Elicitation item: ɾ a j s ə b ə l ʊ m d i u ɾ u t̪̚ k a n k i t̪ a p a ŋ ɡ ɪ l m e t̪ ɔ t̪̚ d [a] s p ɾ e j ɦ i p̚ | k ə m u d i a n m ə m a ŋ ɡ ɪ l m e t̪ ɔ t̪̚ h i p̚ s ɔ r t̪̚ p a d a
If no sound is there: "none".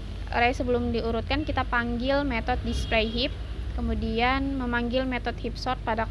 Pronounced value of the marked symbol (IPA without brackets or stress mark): i